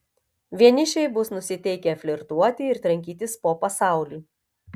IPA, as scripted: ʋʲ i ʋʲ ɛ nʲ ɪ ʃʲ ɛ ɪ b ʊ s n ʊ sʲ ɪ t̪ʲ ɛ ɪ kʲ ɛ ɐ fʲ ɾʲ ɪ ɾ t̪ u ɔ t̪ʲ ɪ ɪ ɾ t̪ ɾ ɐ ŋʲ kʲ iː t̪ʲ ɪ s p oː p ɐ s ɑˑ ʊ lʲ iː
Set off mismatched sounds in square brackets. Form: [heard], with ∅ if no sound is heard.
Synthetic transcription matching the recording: ʋʲ i [∅] ɛ nʲ ɪ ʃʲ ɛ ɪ b ʊ s n ʊ sʲ ɪ t̪ʲ ɛ ɪ kʲ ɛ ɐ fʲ [lʲ] ɪ ɾ t̪ u ɔ t̪ʲ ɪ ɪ ɾ t̪ ɾ ɐ ŋʲ kʲ iː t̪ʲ ɪ s p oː p ɐ s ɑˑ ʊ lʲ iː